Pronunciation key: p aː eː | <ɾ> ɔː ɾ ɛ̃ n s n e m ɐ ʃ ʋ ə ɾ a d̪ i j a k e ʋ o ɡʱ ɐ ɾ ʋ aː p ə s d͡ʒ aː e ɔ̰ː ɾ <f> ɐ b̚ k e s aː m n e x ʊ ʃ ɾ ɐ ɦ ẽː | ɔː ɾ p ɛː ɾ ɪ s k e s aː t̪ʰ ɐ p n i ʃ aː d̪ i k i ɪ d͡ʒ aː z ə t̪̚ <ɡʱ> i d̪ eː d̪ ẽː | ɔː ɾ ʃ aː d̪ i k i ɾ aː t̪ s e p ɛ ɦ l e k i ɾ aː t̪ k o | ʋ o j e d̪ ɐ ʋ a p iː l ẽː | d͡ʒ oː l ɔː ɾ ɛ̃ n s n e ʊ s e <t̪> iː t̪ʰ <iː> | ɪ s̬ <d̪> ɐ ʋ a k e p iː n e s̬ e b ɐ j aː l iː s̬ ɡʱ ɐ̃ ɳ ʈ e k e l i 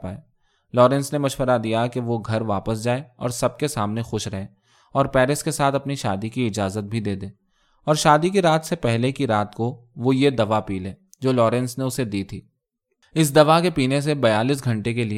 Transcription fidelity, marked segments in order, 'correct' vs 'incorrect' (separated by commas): incorrect, incorrect, incorrect, incorrect, correct, correct